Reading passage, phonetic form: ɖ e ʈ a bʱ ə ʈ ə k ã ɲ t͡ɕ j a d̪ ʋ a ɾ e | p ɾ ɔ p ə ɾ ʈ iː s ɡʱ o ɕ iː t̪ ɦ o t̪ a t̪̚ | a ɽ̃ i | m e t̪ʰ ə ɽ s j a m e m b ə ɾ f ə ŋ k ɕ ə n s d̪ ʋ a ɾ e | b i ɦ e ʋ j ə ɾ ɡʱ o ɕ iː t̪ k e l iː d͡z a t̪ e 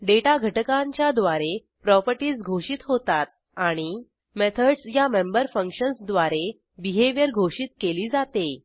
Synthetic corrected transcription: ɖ e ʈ a ɡʱ ə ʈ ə k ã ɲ t͡ɕ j a d̪ ʋ a ɾ e | p ɾ ɔ p ə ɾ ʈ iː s ɡʱ o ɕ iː t̪ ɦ o t̪ a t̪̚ | a ɽ̃ i | m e t̪ʰ ə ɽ s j a m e m b ə ɾ f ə ŋ k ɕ ə n s d̪ ʋ a ɾ e | b i ɦ e ʋ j ə ɾ ɡʱ o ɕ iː t̪ k e l iː d͡z a t̪ e